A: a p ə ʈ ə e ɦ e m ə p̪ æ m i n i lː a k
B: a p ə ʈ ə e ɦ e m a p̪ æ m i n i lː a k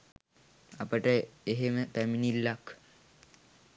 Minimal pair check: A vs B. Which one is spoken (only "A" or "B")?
A